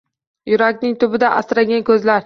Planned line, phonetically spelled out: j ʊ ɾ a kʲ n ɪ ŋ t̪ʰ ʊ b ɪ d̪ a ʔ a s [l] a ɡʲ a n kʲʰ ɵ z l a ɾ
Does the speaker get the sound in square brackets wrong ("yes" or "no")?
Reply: yes